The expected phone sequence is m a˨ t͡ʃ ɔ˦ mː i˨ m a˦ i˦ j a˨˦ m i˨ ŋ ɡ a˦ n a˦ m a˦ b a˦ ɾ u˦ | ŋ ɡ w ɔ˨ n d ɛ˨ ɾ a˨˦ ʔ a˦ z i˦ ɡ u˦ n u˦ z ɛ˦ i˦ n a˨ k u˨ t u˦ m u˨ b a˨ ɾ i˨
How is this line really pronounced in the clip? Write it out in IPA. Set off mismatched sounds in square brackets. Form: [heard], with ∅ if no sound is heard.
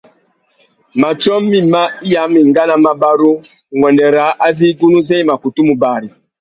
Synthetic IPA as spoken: m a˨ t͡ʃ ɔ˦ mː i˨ m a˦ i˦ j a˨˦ m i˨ ŋ ɡ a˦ n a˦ m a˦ b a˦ ɾ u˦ | ŋ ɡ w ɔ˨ n d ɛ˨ ɾ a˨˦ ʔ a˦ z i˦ ɡ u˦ n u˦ z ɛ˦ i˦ [m] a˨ k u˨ t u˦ m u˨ b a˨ ɾ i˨